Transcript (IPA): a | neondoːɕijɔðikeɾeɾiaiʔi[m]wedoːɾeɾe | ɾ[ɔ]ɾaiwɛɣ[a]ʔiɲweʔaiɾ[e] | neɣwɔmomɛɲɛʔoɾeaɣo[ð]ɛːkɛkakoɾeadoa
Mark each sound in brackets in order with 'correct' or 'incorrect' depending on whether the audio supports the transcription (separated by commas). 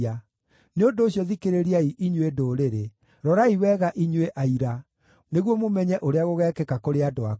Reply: incorrect, correct, correct, incorrect, incorrect